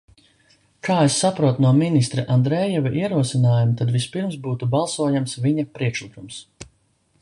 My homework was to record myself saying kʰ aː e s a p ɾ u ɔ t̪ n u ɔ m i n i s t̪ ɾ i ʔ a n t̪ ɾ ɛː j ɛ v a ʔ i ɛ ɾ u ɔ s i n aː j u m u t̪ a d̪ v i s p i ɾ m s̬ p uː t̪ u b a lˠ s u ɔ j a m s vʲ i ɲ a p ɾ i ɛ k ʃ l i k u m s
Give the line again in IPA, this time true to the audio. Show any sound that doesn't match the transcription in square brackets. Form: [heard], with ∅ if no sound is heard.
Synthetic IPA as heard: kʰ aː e [sː] a p ɾ u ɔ t̪ n u ɔ m i n i s t̪ ɾ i ʔ a n [d̪] ɾ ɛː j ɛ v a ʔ i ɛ ɾ u ɔ s i n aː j u m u t̪ a d̪ v i s p i ɾ m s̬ [b] uː t̪ u b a lˠ s u ɔ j a m s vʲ i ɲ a p ɾ i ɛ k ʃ l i k u m s